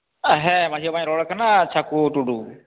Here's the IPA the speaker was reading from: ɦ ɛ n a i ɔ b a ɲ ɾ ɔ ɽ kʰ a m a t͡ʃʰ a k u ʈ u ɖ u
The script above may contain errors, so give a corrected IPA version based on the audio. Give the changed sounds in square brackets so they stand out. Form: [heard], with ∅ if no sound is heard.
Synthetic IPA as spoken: ɦ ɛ [m] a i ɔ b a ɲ ɾ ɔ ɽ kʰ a [n] a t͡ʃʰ a k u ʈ u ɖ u